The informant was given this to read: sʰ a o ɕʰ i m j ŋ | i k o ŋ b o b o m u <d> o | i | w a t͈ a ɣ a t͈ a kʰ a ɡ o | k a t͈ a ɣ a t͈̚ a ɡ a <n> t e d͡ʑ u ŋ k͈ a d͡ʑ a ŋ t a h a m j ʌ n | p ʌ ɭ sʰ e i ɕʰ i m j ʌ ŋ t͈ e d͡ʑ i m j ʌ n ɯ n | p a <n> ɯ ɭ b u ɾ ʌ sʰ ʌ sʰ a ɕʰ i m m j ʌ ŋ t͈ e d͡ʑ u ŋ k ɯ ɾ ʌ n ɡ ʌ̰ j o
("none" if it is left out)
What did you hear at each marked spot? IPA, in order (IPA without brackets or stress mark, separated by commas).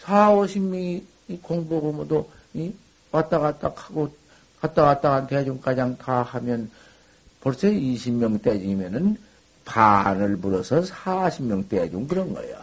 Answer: d, n, n